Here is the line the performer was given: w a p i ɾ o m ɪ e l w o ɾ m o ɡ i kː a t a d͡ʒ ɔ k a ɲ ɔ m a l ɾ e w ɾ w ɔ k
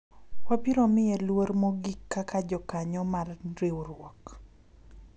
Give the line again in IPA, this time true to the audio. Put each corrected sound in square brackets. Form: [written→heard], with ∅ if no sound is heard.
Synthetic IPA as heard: w a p i ɾ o m ɪ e l w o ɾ m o ɡ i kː a [t→k] a d͡ʒ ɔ k a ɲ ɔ m a [l→r] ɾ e w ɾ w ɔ k